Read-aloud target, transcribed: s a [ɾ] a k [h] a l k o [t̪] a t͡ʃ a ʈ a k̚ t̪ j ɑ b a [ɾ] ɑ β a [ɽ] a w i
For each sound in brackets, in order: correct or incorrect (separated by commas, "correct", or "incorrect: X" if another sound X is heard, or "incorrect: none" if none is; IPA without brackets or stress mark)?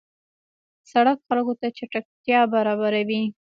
incorrect: ɽ, incorrect: x, correct, correct, incorrect: ɾ